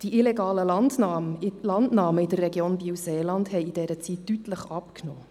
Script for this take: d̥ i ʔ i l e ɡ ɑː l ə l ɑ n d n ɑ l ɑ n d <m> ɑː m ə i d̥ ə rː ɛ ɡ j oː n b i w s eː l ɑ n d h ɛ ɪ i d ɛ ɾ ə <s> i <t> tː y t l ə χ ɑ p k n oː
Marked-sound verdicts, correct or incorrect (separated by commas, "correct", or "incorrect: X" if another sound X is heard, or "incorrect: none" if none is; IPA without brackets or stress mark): incorrect: n, incorrect: t͡s, correct